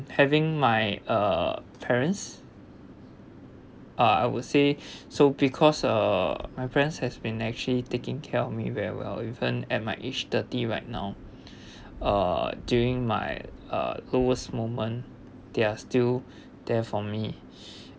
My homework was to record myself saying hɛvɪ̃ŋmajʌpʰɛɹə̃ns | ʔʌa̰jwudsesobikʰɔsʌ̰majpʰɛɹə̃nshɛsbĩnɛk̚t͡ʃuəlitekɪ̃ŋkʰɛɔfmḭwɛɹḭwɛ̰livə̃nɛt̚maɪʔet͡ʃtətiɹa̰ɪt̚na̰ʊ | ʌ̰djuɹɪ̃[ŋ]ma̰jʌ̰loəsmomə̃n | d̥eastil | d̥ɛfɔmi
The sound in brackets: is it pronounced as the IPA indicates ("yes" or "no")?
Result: yes